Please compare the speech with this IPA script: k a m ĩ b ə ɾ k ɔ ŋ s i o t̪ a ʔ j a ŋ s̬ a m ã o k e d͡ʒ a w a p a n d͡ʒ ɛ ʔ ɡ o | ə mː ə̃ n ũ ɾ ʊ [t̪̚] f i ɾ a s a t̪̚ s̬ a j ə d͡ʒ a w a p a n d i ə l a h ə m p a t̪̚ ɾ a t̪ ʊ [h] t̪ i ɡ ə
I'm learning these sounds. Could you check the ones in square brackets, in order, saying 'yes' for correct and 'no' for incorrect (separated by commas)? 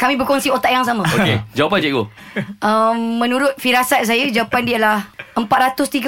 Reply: yes, no